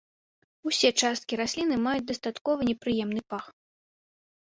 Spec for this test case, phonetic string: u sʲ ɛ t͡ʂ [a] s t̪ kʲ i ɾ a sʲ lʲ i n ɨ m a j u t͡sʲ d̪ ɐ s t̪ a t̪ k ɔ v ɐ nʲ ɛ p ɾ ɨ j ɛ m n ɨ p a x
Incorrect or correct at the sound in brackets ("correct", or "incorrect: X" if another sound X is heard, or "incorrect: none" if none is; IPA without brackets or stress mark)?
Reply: correct